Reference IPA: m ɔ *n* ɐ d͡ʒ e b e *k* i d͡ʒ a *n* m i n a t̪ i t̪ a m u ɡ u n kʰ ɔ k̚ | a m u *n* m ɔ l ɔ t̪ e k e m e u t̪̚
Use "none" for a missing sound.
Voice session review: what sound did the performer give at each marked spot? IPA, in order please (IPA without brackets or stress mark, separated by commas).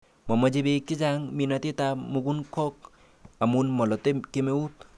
m, k, ŋ, n